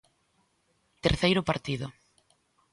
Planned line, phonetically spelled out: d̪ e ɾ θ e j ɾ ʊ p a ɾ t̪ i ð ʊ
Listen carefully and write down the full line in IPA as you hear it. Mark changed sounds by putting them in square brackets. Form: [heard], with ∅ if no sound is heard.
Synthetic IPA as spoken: [t̪] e ɾ θ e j ɾ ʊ p a ɾ t̪ i ð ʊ